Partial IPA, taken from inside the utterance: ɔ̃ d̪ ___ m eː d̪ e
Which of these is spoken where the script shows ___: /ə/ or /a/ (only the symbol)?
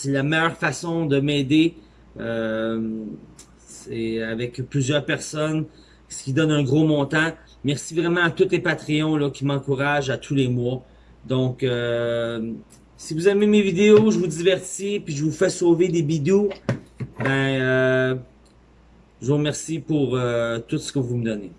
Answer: ə